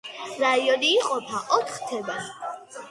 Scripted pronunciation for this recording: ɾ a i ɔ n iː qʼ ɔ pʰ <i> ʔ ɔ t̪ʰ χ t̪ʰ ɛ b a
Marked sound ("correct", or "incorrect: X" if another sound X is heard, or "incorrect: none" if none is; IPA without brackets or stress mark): incorrect: a